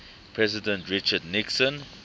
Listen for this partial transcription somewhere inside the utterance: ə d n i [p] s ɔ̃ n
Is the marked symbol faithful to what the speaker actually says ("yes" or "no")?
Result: no